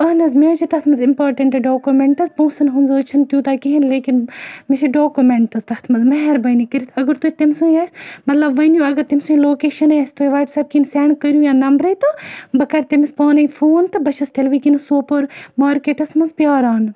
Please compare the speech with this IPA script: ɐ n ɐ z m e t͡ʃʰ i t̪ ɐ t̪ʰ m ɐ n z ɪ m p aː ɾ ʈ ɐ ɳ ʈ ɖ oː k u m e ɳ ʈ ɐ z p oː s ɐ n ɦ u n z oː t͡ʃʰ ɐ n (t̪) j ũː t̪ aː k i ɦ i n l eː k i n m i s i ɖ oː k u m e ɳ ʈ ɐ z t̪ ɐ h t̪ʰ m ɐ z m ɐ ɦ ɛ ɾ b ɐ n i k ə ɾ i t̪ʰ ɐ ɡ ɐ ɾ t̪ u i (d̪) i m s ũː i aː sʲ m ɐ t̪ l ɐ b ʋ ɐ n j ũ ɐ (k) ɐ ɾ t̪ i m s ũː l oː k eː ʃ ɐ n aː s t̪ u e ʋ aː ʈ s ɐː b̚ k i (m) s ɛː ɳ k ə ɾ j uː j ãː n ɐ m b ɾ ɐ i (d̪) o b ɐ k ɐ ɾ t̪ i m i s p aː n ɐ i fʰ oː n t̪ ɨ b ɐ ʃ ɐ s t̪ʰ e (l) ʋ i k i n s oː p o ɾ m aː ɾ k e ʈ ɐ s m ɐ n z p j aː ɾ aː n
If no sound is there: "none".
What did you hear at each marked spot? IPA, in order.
t̪, t̪, ɡ, n, t̪, l

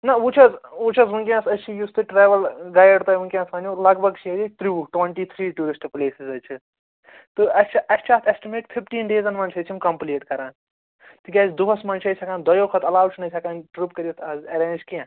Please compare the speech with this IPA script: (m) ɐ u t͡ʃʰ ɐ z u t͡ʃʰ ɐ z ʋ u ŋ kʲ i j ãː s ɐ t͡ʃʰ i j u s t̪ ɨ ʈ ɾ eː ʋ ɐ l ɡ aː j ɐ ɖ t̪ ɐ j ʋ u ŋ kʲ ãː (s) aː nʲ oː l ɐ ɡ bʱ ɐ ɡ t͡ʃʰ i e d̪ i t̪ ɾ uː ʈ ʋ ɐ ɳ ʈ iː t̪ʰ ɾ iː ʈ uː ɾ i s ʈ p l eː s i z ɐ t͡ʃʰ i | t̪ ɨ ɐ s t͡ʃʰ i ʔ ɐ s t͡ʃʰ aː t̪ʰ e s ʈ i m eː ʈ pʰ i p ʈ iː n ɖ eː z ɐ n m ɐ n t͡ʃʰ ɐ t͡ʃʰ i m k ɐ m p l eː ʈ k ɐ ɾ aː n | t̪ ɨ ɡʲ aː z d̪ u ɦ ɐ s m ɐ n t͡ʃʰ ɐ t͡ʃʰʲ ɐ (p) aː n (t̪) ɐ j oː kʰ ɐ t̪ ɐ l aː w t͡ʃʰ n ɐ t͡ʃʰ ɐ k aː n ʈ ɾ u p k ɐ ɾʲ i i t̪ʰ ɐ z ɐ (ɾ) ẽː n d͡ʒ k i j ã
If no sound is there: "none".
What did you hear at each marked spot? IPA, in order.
n, s, k, d̪, ɾ

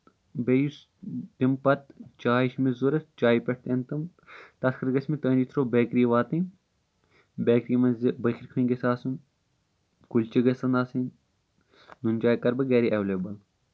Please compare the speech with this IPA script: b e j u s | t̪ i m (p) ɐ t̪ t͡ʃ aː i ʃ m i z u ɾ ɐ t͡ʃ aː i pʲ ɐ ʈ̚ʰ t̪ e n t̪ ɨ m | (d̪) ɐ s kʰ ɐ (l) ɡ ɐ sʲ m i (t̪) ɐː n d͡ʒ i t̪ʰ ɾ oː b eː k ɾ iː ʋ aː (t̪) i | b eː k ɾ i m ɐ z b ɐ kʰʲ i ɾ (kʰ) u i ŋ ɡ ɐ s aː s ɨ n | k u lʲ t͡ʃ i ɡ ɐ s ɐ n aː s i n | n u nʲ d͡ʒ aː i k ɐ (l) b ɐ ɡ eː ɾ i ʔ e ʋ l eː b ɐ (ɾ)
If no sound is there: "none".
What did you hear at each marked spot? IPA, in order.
p, t̪, ɾ, t̪, t̪, kʰ, ɾ, l

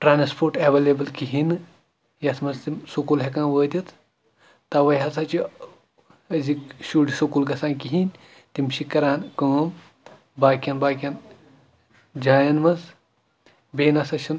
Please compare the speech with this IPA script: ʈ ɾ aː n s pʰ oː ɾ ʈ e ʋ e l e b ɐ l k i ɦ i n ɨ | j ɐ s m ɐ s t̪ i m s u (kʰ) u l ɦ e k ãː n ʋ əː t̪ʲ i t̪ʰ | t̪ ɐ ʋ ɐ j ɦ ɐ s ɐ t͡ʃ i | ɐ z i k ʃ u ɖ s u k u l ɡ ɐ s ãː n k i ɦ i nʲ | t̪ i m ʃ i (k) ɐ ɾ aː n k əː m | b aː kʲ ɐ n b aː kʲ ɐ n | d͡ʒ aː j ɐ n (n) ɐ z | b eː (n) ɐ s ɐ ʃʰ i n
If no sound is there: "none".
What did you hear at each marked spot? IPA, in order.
k, k, m, n

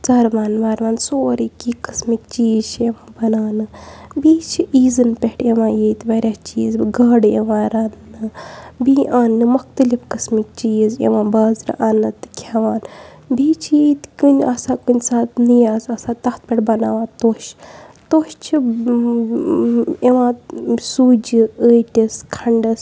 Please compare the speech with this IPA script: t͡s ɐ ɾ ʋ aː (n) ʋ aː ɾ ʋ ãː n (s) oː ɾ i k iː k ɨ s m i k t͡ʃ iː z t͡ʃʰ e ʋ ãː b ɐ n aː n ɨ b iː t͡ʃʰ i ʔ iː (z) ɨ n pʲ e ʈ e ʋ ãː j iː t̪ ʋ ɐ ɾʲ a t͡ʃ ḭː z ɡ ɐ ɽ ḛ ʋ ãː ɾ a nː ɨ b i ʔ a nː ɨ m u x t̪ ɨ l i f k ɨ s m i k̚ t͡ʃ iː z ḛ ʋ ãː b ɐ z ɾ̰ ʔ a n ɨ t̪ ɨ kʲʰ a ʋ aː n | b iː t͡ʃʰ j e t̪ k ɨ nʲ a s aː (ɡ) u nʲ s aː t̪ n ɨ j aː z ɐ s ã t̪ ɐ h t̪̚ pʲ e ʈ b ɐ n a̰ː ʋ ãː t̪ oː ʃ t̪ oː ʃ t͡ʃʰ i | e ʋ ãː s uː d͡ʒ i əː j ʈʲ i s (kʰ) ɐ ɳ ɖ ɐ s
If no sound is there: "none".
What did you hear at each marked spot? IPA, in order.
n, s, z, k, kʰ

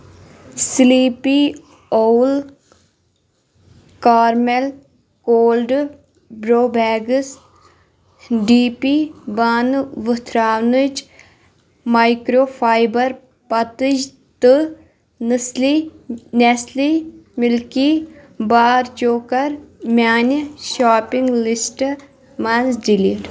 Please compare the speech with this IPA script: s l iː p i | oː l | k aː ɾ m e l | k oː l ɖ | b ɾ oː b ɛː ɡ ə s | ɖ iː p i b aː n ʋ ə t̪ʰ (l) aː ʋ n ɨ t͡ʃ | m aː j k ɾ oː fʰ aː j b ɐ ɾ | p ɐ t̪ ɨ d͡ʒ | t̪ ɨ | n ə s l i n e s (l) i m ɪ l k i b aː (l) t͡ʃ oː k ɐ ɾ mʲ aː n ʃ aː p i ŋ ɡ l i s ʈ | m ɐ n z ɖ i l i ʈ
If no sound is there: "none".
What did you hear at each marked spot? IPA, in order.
ɾ, l, ɾ

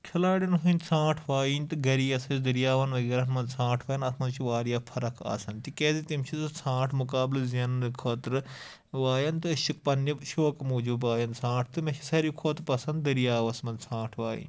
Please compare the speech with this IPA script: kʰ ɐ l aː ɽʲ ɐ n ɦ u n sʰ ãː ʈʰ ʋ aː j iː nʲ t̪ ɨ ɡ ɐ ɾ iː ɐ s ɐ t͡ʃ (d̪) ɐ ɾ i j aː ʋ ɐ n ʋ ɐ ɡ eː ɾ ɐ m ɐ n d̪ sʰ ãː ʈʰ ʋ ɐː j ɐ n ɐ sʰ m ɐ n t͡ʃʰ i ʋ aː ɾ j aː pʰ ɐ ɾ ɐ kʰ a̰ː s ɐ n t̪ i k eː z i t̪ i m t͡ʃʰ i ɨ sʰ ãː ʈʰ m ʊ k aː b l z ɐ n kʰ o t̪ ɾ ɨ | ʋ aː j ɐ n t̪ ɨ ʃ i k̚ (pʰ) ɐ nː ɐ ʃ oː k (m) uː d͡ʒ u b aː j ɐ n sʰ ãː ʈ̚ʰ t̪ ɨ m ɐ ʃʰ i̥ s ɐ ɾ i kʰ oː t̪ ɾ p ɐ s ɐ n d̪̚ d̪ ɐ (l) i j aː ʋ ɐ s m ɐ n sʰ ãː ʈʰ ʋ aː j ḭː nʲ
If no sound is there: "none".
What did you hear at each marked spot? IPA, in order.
d̪, p, m, ɾ

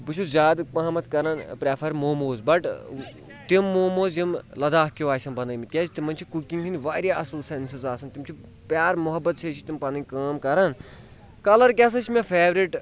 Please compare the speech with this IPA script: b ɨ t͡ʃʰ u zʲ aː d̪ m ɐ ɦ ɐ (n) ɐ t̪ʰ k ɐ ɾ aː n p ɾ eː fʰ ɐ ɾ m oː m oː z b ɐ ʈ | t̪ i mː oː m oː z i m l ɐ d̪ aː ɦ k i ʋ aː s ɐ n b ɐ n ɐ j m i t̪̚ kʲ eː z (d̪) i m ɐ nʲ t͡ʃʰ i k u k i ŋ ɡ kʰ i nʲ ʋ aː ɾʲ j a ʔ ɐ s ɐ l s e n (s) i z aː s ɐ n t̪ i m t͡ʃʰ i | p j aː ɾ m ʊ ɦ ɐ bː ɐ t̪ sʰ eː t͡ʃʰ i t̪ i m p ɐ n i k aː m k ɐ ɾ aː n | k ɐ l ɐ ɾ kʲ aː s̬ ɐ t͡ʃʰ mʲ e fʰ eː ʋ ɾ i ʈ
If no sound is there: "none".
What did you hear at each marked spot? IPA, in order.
m, t̪, s

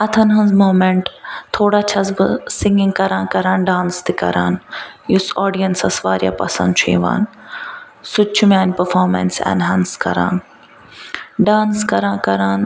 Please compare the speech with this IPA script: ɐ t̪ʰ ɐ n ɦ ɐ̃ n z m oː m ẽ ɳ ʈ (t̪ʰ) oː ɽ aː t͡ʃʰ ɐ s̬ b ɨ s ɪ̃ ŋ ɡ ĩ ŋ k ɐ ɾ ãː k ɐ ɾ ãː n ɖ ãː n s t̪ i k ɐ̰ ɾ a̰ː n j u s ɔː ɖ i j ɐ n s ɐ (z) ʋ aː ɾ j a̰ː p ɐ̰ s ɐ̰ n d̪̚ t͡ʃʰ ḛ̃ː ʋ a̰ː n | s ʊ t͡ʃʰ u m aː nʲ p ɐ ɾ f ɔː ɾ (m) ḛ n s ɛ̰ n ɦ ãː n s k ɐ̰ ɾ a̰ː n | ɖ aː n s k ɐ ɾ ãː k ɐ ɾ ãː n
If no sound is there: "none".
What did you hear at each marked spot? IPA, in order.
t̪ʰ, s, m

